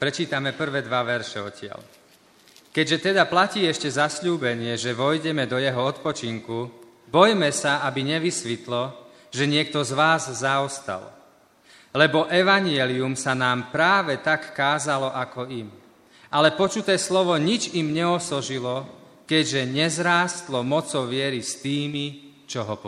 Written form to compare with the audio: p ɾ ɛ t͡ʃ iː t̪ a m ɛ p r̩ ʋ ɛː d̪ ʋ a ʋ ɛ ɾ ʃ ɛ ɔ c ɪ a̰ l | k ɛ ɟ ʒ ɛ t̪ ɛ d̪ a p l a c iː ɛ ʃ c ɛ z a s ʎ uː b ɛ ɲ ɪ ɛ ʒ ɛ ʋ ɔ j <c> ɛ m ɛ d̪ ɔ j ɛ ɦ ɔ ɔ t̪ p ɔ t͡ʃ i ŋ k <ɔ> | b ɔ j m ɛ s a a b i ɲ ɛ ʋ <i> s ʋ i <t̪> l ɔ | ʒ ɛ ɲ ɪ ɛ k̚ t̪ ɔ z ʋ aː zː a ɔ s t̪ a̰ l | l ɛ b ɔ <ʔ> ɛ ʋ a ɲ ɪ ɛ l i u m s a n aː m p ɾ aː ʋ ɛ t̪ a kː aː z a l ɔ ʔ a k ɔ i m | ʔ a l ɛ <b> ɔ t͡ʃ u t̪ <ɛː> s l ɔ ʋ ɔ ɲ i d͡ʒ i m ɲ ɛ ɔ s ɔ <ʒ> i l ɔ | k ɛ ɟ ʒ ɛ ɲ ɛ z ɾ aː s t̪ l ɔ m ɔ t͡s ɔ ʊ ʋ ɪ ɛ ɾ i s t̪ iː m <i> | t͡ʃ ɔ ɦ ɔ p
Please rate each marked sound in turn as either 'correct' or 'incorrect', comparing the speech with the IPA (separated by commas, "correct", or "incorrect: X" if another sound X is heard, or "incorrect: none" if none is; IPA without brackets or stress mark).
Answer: incorrect: ɟ, incorrect: u, correct, correct, correct, incorrect: p, correct, correct, correct